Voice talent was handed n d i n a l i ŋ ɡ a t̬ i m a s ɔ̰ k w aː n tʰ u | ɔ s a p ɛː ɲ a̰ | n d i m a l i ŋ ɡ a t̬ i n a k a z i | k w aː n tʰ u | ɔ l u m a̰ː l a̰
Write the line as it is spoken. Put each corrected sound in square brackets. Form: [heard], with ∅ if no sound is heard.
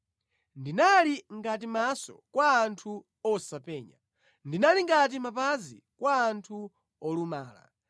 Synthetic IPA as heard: n d i n a l i ŋ ɡ a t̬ i m a s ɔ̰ k w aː n tʰ u | ɔ s a p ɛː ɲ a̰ | n d i [n] a l i ŋ ɡ a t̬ i [m] a [p] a z i | k w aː n tʰ u | ɔ l u m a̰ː l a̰